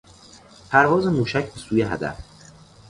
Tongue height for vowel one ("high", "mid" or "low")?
low